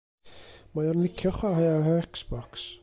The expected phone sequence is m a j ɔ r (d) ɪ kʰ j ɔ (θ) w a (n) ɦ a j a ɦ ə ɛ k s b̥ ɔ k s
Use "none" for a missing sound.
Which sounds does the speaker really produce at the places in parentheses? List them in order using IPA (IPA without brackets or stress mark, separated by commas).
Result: n, χ, none